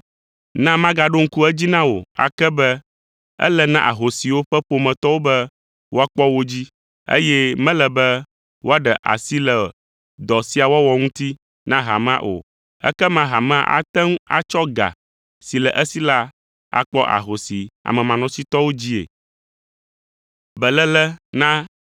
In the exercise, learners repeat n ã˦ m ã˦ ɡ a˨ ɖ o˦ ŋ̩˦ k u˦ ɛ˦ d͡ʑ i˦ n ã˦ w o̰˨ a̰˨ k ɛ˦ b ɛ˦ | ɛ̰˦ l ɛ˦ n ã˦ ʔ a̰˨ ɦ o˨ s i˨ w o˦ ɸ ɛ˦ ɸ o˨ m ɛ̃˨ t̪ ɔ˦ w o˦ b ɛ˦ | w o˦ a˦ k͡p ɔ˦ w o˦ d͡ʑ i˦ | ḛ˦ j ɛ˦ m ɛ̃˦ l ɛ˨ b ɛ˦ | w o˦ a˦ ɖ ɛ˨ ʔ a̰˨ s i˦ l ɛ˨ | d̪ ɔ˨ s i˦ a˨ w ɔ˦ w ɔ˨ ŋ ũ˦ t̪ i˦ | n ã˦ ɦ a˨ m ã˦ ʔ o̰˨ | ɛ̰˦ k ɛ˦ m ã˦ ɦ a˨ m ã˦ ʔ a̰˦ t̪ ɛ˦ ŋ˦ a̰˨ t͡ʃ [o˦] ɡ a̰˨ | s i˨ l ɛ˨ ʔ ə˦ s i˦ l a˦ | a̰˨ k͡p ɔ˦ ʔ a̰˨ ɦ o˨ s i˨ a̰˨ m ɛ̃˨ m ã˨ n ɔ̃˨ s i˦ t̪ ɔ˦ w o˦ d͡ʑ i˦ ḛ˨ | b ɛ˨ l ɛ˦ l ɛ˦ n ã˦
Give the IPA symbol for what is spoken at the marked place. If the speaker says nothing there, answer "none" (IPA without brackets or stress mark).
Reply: ɔ˦